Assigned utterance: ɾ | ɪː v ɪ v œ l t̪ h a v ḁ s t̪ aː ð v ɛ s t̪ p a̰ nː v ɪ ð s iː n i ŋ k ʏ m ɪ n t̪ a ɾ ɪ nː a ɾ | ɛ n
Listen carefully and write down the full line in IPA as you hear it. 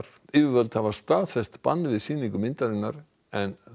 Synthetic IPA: ɾ | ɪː v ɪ v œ l t̪ h a v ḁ s t̪ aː ð f ɛ s t̪ p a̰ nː v ɪ ð s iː n i ŋ k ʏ m ɪ n t̪ a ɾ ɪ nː a ɾ | ɛ n